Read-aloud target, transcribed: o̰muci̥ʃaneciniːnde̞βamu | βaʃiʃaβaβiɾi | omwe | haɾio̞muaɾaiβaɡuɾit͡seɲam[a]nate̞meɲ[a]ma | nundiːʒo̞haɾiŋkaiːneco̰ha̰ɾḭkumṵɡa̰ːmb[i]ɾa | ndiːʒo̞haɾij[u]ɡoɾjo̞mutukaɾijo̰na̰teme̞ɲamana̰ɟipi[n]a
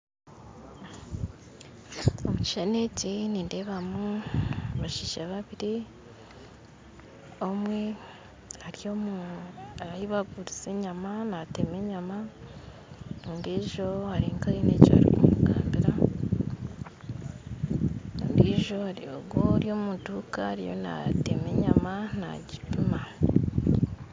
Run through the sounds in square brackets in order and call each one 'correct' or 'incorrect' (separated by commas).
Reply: correct, correct, correct, incorrect, incorrect